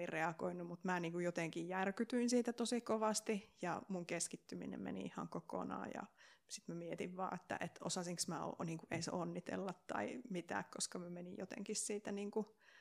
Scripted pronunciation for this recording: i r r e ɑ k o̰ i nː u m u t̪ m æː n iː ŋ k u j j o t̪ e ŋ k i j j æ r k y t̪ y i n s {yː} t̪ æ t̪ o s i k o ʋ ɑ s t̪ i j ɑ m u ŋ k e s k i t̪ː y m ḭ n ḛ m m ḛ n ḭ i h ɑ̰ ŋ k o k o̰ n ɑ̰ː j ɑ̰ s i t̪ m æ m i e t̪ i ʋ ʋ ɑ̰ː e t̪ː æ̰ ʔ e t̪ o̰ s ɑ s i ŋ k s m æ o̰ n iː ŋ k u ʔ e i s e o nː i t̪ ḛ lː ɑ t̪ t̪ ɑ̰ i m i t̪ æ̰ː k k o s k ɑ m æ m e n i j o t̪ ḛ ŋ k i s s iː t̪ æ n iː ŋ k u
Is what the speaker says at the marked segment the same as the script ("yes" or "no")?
no